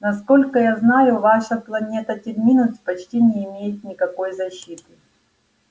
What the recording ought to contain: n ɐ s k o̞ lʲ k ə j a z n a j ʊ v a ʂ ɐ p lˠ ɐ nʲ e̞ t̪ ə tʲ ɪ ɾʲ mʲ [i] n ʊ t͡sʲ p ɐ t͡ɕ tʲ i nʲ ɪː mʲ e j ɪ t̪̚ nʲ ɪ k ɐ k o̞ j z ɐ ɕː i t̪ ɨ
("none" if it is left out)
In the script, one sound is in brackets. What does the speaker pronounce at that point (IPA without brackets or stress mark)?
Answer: i